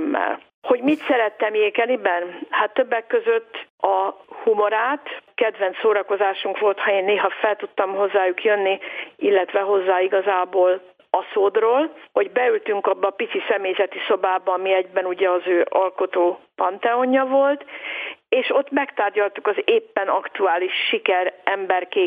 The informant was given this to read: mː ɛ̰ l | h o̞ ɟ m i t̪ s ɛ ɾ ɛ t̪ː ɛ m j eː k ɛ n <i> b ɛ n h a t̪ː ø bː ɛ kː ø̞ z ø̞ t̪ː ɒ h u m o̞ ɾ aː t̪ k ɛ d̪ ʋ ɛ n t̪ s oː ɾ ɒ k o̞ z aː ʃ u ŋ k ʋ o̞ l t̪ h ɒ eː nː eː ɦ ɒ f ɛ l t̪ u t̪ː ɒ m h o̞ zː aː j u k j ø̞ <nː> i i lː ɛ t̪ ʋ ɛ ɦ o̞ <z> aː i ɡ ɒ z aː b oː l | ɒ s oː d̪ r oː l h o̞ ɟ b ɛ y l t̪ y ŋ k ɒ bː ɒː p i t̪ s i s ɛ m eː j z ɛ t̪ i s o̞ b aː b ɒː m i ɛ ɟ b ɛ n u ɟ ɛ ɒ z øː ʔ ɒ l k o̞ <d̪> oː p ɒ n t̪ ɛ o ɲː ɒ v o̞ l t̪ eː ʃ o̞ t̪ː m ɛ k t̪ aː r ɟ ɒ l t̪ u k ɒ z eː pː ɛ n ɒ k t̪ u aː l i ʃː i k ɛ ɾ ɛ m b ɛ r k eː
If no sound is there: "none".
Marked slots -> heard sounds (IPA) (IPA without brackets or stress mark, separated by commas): i, nː, zː, t̪